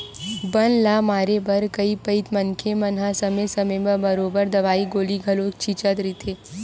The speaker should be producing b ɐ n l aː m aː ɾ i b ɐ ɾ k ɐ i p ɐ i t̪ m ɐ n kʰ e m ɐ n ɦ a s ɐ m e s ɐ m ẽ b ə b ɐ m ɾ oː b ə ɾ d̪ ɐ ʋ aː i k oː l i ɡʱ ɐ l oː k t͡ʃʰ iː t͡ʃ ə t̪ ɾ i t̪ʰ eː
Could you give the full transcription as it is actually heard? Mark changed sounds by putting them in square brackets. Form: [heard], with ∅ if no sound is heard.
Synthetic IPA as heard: b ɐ n l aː m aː ɾ [e] b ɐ ɾ k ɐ i p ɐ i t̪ m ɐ n kʰ e m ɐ n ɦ a s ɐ m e s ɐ m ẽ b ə b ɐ [∅] ɾ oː b ə ɾ d̪ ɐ ʋ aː i [ɡ] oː l i ɡʱ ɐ l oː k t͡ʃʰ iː t͡ʃ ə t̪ ɾ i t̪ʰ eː